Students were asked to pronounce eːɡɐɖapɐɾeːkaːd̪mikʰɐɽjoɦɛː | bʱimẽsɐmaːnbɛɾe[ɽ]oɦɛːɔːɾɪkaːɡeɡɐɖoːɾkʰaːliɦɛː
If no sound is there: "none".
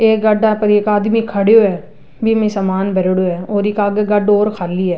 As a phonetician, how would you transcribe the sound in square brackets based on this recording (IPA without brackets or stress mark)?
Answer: ɽ